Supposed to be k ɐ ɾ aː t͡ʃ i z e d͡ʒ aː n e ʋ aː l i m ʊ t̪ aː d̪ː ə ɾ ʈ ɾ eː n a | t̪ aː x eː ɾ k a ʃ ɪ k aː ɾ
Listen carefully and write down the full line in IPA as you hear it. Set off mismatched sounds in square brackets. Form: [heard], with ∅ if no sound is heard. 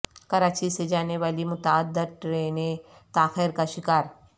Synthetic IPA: k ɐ ɾ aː t͡ʃ i [s] e d͡ʒ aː n e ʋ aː l i m ʊ t̪ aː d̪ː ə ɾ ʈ ɾ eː n [e] | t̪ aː x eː ɾ k a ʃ ɪ k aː ɾ